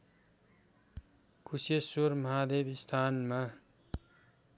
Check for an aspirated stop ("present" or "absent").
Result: present